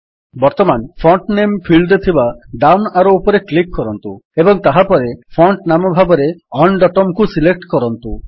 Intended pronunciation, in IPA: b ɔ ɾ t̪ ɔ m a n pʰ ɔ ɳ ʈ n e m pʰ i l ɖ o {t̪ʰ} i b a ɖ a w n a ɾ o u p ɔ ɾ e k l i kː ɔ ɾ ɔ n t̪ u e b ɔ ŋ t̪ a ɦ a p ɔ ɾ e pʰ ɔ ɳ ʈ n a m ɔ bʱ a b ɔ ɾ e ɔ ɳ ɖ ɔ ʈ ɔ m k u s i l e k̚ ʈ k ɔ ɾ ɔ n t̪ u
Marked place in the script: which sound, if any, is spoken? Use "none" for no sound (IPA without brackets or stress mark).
t̪ʰ